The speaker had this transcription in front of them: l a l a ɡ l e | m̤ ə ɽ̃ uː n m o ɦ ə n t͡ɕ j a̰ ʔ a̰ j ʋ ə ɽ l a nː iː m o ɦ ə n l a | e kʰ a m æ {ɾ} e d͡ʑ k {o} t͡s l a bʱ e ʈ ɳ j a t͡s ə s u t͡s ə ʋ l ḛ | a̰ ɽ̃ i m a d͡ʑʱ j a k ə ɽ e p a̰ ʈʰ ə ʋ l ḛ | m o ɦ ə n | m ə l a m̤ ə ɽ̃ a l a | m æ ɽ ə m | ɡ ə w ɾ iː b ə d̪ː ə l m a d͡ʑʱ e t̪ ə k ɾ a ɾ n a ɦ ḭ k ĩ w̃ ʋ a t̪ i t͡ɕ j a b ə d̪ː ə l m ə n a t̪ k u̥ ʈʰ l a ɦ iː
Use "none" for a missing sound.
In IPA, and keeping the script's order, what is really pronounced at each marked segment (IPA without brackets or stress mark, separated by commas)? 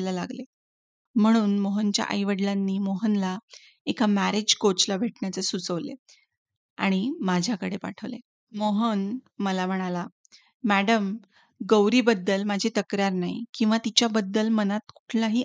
ɾ, o